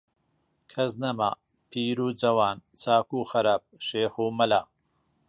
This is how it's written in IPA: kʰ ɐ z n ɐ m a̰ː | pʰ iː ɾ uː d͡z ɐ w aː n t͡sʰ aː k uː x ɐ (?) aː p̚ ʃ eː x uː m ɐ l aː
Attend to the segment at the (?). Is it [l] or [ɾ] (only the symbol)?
ɾ